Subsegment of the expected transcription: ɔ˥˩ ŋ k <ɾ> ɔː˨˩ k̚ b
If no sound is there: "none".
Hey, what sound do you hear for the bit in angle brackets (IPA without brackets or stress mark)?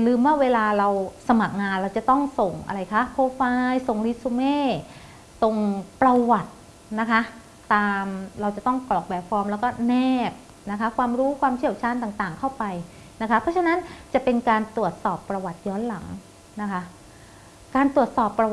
l